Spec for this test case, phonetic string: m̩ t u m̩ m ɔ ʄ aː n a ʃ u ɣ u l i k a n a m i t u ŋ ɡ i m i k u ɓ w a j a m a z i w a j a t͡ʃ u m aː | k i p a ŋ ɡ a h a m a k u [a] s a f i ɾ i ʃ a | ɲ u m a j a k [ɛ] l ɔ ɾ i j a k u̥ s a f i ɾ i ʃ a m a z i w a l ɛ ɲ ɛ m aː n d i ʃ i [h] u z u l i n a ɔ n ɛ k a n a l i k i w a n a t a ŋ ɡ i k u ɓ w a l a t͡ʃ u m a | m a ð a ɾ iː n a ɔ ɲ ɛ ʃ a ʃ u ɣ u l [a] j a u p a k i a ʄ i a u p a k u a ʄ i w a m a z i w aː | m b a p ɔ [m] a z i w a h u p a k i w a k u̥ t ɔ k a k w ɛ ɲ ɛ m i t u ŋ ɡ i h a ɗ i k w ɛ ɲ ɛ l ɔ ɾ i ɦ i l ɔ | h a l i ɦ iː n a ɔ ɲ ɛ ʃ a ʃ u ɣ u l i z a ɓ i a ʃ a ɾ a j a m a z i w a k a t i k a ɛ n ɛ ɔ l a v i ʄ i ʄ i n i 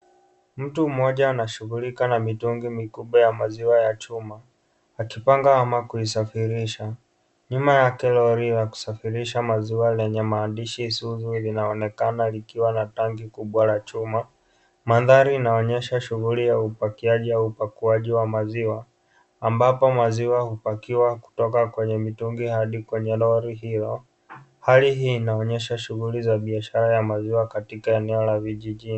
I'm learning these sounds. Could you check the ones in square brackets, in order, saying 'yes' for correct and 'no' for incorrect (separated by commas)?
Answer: no, yes, no, no, yes